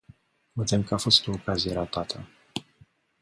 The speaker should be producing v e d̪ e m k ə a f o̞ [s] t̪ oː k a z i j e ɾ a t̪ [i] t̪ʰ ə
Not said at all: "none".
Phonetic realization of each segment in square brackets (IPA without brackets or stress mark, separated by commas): s, a